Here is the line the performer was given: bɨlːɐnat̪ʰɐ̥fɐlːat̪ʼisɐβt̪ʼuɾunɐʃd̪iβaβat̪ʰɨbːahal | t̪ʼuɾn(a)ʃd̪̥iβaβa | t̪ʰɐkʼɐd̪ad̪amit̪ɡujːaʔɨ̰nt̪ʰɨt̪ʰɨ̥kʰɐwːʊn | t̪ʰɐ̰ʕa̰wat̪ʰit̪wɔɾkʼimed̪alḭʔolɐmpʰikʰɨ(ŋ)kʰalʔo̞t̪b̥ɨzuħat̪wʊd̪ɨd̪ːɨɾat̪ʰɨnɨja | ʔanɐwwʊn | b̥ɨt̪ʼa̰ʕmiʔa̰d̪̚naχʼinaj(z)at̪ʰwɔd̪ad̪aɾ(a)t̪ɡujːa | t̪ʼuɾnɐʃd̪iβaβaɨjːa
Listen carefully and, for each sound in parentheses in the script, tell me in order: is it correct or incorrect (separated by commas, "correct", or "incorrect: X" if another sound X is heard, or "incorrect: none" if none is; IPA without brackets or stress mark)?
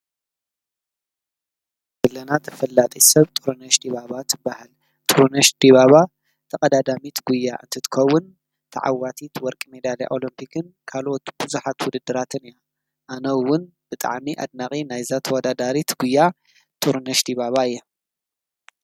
incorrect: ɐ, incorrect: n, correct, incorrect: i